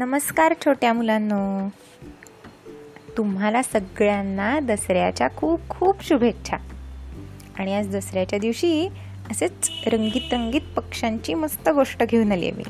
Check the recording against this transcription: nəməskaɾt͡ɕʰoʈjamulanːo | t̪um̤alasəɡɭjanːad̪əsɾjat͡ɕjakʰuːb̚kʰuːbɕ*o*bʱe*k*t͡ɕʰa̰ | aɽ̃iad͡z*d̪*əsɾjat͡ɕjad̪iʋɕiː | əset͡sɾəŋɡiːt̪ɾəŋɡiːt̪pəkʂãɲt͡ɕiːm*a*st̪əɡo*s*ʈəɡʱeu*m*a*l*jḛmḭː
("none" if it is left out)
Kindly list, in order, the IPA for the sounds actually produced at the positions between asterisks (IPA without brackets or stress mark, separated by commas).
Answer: u, k, d̪, ə, ʂ, n, l